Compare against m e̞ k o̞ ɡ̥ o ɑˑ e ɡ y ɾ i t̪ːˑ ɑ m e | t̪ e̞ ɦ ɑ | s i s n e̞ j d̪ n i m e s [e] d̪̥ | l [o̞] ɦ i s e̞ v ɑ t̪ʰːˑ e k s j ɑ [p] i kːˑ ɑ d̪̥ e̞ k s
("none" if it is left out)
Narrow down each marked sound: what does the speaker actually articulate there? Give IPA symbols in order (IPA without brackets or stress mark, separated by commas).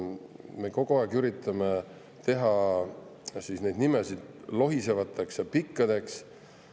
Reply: i, o̞, p